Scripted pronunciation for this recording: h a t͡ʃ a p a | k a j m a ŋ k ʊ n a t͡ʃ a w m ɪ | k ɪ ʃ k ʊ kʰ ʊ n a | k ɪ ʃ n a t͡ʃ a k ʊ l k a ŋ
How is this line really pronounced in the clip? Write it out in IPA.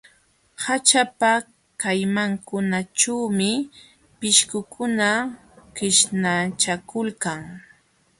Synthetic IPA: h a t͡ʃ a p a | k a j m a ŋ k ʊ n a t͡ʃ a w m ɪ | p ɪ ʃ k ʊ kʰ ʊ n a | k ɪ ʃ n a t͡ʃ a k ʊ l k a ŋ

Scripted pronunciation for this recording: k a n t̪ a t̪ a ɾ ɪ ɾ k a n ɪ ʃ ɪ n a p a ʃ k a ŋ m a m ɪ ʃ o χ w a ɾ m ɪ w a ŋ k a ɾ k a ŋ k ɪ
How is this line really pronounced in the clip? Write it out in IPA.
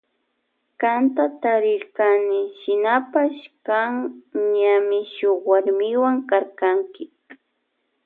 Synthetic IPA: k a n t̪ a t̪ a ɾ ɪ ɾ k a n ɪ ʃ ɪ n a p a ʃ k a ŋ ɲ a m ɪ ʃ o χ w a ɾ m ɪ w a ŋ k a ɾ k a ŋ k ɪ

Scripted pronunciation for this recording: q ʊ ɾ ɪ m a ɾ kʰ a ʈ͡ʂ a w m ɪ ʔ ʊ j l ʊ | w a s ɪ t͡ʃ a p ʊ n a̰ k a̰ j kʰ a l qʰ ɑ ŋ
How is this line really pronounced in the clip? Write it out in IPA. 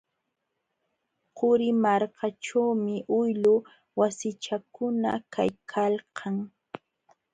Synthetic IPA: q ʊ ɾ ɪ m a ɾ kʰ a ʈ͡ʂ a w m ɪ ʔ ʊ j l ʊ | w a s ɪ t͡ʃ a k ʊ n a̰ k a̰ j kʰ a l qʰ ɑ ŋ

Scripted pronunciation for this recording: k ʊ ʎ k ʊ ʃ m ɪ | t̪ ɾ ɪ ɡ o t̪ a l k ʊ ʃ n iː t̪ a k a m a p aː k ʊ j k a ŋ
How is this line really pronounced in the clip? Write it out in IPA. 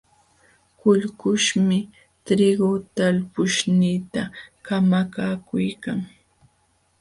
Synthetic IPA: k ʊ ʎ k ʊ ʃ m ɪ | t̪ ɾ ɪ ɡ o t̪ a l p ʊ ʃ n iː t̪ a k a m a k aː k ʊ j k a ŋ

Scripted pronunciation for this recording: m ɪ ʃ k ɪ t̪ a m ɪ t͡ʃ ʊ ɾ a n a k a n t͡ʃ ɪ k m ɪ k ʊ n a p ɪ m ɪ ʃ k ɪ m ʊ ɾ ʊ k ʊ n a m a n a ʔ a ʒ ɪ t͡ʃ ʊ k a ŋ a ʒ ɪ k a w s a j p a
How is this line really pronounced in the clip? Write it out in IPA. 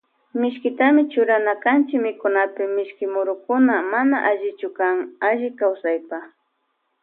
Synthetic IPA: m ɪ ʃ k ɪ t̪ a m ɪ t͡ʃ ʊ ɾ a n a k a n t͡ʃ ɪ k m ɪ k ʊ n a p ɪ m ɪ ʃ k ɪ m ʊ ɾ ʊ k ʊ n a m a n a ʔ a ʒ ɪ t͡ʃ ʊ k a ŋ a ʒ ɪ k a w s a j p a

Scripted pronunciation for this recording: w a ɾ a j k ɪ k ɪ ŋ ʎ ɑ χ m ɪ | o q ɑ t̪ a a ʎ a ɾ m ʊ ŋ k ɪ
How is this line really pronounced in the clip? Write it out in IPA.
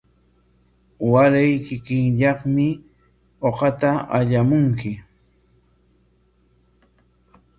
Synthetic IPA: w a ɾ a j k ɪ k ɪ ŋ ʎ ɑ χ m ɪ | o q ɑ t̪ a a ʎ a m ʊ ŋ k ɪ

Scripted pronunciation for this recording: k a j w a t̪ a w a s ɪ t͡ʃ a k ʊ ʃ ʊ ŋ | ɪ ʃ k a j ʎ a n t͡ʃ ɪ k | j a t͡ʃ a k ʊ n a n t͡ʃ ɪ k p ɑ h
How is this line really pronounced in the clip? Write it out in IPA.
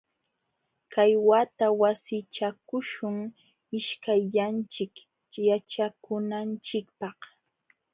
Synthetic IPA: k a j w a t̪ a w a s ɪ t͡ʃ a k ʊ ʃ ʊ ŋ | ɪ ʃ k a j ʎ a n t͡ʃ ɪ k | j a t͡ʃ a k ʊ n a n t͡ʃ ɪ k p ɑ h

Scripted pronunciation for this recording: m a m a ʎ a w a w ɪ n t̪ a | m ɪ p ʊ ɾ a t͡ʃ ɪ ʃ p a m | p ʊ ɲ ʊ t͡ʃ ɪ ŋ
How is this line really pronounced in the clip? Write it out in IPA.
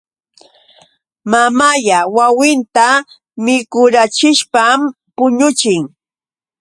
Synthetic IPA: m a m a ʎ a w a w ɪ n t̪ a | m ɪ k ʊ ɾ a t͡ʃ ɪ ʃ p a m | p ʊ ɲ ʊ t͡ʃ ɪ ŋ

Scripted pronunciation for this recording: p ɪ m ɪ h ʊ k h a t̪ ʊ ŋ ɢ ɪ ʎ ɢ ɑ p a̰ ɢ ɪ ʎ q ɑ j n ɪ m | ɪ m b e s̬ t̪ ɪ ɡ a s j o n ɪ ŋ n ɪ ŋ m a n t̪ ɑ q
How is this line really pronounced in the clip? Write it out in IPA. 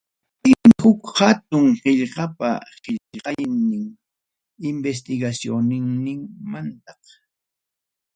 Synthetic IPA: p ɪ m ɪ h ʊ k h a t̪ ʊ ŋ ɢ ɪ ʎ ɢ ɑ p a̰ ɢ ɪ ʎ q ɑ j n ɪ ŋ | ɪ m b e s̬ t̪ ɪ ɡ a s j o n ɪ ŋ n ɪ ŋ m a n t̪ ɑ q

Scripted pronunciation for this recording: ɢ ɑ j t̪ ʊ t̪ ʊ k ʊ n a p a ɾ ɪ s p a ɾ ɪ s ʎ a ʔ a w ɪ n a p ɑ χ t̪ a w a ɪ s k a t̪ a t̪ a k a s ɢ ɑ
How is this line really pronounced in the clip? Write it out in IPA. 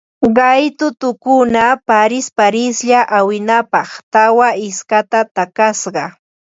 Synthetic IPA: ɢ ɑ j t̪ ʊ t̪ ʊ k ʊ n a p a ɾ ɪ s p a ɾ ɪ s ʎ a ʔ a w ɪ n a p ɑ χ t̪ a w a ɪ s k a t̪ a t̪ a k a s ɢ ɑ

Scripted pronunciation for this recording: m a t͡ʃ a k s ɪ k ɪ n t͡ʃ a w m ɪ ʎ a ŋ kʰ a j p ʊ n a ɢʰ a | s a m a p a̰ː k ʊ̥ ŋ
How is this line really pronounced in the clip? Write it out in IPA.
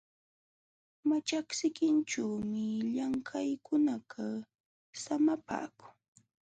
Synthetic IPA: m a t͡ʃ a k s ɪ k ɪ n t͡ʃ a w m ɪ ʎ a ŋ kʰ a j k ʊ n a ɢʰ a | s a m a p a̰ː k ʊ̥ ŋ

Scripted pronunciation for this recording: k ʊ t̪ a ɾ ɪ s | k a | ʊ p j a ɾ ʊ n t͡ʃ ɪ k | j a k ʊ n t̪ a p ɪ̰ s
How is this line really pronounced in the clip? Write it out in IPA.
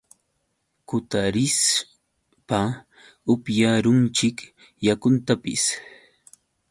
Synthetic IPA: k ʊ t̪ a ɾ ɪ s | p a | ʊ p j a ɾ ʊ n t͡ʃ ɪ k | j a k ʊ n t̪ a p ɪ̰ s

